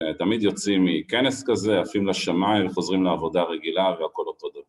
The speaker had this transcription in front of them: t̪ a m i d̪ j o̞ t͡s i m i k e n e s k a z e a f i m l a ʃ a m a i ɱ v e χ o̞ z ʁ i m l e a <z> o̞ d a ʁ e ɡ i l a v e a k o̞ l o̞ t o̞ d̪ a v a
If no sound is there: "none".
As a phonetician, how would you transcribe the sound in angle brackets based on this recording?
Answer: v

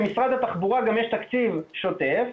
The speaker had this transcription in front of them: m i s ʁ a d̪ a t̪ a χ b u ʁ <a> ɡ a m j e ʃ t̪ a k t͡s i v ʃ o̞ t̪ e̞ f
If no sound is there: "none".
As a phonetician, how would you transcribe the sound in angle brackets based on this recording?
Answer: a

